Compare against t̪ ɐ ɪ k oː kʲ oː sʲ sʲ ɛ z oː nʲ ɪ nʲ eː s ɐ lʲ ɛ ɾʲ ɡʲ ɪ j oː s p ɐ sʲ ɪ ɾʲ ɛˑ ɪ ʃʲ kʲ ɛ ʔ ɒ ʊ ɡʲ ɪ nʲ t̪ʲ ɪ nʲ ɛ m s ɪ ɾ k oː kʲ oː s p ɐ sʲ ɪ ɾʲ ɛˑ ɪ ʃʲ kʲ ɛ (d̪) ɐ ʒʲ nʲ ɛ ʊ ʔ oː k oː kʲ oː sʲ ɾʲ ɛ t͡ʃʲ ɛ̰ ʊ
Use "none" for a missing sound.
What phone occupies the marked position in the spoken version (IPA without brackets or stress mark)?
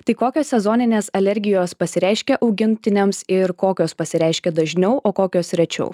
d̪